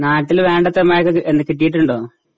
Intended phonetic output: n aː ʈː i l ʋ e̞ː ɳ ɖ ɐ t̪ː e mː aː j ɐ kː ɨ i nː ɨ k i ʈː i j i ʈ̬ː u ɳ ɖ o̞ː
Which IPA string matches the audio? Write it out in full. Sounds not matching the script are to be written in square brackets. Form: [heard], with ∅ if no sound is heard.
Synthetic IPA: n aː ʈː i l ʋ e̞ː ɳ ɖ ɐ t̪ː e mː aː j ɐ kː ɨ [e] nː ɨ k i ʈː i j i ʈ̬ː u ɳ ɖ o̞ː